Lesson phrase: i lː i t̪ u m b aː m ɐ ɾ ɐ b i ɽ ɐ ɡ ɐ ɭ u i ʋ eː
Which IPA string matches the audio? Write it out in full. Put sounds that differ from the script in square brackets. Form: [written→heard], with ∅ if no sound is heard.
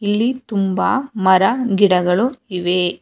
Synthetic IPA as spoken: i lː i t̪ u m b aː m ɐ ɾ ɐ [b→ɡ] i ɽ ɐ ɡ ɐ ɭ u i ʋ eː